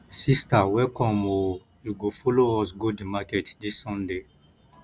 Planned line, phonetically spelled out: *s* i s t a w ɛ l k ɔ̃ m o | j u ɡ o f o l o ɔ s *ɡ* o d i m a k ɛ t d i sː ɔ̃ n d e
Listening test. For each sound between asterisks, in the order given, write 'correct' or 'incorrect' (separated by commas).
correct, correct